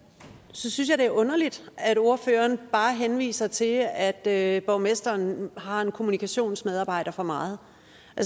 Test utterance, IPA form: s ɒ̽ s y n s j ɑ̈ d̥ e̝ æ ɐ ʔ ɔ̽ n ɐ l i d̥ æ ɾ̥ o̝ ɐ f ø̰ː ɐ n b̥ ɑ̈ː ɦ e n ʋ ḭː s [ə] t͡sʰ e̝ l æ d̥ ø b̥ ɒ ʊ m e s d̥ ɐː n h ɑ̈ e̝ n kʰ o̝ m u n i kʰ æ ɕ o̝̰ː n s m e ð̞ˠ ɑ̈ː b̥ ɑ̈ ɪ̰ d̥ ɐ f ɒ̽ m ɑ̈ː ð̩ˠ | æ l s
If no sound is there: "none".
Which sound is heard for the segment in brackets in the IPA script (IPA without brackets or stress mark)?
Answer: ɐ